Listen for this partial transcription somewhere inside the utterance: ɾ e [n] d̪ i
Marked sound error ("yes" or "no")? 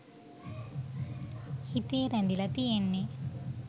no